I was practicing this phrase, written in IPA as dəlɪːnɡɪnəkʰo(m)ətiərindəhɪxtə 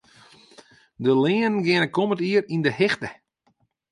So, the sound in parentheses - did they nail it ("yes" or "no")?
yes